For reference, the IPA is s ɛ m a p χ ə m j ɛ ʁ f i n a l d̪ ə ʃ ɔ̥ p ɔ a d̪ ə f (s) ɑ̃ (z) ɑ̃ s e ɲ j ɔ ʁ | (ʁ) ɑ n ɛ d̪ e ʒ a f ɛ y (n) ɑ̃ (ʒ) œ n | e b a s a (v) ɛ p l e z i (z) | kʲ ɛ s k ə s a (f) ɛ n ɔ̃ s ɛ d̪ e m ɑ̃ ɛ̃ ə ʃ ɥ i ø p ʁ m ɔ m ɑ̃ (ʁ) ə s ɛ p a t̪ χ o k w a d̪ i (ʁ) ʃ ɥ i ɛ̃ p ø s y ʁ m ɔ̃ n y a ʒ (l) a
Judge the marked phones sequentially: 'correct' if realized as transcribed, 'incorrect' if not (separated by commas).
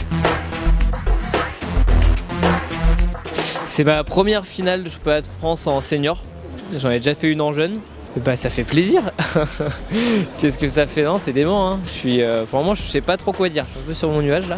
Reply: incorrect, incorrect, incorrect, correct, correct, incorrect, incorrect, correct, incorrect, correct, correct